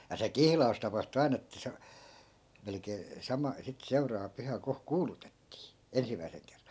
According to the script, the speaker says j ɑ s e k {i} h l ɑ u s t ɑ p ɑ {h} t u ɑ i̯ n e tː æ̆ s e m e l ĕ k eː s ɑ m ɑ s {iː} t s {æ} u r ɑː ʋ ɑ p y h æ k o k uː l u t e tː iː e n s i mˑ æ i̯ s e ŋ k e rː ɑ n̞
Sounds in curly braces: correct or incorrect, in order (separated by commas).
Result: correct, correct, incorrect, incorrect